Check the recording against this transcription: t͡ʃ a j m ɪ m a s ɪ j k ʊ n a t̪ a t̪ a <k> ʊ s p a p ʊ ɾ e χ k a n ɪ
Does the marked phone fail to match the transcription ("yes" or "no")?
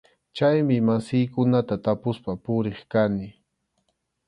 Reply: yes